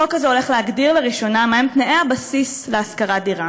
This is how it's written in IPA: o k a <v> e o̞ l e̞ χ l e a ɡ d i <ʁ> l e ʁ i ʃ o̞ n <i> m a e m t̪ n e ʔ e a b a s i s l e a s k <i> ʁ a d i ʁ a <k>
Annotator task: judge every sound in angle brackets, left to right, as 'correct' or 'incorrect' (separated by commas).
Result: incorrect, correct, incorrect, incorrect, incorrect